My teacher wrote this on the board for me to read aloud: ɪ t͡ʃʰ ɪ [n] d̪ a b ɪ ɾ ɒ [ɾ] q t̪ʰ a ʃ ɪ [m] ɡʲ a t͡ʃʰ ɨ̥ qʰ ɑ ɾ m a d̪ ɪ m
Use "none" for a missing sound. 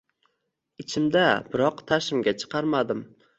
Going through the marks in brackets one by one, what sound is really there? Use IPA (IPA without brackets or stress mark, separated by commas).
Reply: m, none, m